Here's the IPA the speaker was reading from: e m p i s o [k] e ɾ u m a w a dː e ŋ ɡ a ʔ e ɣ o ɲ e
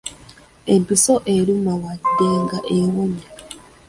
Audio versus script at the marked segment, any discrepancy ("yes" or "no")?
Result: yes